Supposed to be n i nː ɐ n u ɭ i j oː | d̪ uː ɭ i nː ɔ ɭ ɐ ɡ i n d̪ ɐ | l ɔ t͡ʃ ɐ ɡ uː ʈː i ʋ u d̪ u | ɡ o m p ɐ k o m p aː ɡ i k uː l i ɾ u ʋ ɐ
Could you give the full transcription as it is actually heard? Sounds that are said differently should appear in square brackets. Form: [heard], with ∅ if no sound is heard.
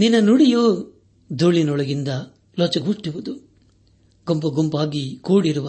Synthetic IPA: n i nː ɐ n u [ɽ] i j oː | d̪ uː ɭ i [n] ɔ ɭ ɐ ɡ i n d̪ ɐ | l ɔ t͡ʃ ɐ ɡ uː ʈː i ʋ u d̪ u | ɡ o m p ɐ [ɡ] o m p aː ɡ i k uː [ɽ] i ɾ u ʋ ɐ